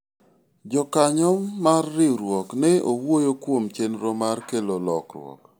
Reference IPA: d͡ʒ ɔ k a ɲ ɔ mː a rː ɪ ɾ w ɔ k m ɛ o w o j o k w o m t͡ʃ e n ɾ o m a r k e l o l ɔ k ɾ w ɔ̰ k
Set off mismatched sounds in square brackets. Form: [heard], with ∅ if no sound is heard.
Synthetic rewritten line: d͡ʒ ɔ k a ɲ ɔ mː a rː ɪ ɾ w ɔ k [n] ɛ o w o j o k w o m t͡ʃ e n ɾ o m a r k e l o l ɔ k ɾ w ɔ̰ k

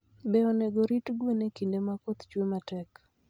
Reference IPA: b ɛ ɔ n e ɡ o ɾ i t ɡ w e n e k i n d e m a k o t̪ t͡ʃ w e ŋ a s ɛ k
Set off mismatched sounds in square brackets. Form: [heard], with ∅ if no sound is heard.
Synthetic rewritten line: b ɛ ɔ n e ɡ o ɾ i t ɡ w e n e k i n d e m a k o t̪ t͡ʃ w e [m] a [t] ɛ k

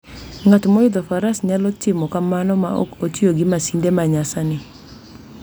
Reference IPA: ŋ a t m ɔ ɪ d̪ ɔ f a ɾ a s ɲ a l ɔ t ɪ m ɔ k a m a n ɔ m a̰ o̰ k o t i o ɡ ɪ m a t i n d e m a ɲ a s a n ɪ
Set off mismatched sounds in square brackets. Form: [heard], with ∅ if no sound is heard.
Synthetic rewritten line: ŋ a t m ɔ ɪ d̪ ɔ f a ɾ a s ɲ a l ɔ t ɪ m ɔ k a m a n ɔ m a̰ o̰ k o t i o ɡ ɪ m a [s] i n d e m a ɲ a s a n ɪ

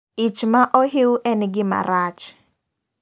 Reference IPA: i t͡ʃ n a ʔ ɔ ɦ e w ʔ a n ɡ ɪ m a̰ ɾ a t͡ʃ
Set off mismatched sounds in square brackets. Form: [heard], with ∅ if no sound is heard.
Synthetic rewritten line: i t͡ʃ [m] a ʔ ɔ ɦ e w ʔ [ɛ] n ɡ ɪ m a̰ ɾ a t͡ʃ

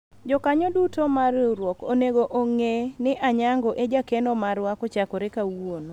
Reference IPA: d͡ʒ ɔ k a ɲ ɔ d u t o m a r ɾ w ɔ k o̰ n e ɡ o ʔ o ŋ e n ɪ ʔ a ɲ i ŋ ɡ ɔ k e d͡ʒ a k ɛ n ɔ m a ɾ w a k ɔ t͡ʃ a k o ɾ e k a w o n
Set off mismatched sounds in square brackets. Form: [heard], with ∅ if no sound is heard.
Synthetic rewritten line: d͡ʒ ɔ k a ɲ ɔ d u t o m a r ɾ w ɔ k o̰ n e ɡ o ʔ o ŋ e n ɪ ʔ a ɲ [a] ŋ ɡ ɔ [ʔ] e d͡ʒ a k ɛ n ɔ m a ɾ w a k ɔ t͡ʃ a k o ɾ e k a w o n

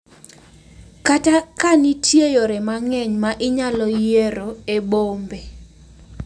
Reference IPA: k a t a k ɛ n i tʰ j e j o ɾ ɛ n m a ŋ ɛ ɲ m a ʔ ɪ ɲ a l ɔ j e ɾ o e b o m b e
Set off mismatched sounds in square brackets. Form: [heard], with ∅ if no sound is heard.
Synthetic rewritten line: k a t a k [a] n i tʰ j e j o ɾ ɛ [∅] m a ŋ ɛ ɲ m a ʔ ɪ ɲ a l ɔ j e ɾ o e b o m b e

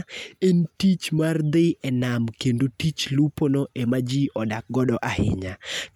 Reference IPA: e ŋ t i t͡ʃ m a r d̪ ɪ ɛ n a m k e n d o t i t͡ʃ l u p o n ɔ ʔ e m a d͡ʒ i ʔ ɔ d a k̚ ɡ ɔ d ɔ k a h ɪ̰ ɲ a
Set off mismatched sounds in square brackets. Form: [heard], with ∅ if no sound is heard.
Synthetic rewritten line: e [n] t i t͡ʃ m a r d̪ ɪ ɛ n a m k e n d o t i t͡ʃ l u p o n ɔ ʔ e m a d͡ʒ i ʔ ɔ d a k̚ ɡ ɔ d ɔ [ʔ] a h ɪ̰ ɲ a

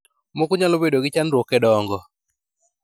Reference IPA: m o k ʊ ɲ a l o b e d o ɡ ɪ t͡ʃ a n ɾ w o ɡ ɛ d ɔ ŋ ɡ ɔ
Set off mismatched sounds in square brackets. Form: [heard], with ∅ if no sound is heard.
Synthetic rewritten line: m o k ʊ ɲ a l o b e d o ɡ ɪ t͡ʃ a n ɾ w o [k] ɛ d ɔ ŋ ɡ ɔ

